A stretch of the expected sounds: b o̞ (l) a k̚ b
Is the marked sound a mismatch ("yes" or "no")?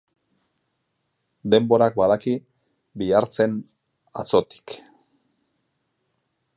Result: yes